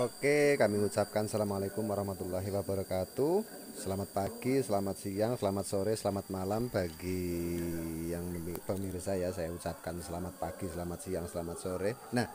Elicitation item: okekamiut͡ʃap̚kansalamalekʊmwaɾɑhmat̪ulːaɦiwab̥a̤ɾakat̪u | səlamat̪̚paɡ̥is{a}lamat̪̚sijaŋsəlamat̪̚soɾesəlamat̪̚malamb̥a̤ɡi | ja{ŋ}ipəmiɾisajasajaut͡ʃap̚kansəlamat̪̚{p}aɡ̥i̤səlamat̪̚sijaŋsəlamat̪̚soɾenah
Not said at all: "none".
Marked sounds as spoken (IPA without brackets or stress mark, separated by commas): ə, ŋ, p